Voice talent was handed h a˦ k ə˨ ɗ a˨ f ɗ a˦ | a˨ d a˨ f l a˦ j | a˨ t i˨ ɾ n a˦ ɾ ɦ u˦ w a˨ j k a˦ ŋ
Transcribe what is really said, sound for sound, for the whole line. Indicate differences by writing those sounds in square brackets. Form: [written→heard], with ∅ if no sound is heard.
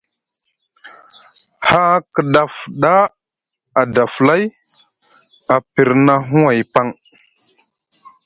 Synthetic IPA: h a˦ k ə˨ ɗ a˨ f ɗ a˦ | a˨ d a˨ f l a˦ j | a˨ [t→p] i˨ ɾ n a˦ [ɾ→∅] ɦ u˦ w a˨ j [k→p] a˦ ŋ